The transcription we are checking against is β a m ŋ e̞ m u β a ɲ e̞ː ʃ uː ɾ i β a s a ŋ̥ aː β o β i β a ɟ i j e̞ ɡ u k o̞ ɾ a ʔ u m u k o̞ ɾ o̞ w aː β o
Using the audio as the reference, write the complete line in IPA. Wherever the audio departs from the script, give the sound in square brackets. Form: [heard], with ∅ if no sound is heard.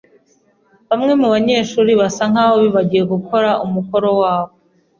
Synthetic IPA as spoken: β a m ŋ e̞ m u β a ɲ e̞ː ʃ uː ɾ i β a s a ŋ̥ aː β o β i β a ɟ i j e̞ ɡ u k o̞ ɾ a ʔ u m u k o̞ ɾ o̞ w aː β o